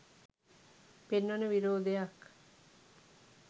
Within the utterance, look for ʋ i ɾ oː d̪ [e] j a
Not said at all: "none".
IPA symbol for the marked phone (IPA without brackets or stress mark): e